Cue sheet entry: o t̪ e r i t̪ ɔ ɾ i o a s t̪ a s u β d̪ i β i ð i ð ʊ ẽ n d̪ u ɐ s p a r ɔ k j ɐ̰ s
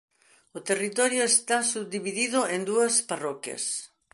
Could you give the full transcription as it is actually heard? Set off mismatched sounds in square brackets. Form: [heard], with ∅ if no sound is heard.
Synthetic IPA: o t̪ e r i t̪ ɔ ɾ [j] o [e] s t̪ a s u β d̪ i β i ð i ð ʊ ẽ n d̪ u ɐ s p a r ɔ k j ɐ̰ s